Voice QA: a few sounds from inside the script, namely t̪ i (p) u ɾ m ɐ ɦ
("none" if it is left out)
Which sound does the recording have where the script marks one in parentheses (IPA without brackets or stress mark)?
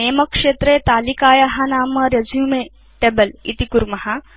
k